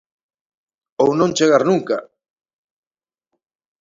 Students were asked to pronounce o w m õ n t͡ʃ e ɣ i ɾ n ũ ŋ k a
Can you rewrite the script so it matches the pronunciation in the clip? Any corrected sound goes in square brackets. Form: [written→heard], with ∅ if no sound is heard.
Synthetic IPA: o w [m→n] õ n t͡ʃ e ɣ [i→a] ɾ n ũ ŋ k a